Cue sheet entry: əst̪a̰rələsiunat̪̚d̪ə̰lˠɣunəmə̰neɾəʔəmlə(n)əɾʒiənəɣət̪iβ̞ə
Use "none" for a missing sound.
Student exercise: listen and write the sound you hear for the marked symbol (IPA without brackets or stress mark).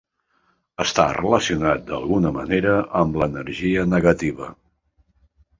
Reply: n